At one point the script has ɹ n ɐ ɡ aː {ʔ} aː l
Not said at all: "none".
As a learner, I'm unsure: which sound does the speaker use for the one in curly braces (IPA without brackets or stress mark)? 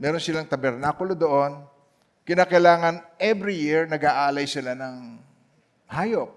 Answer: ʔ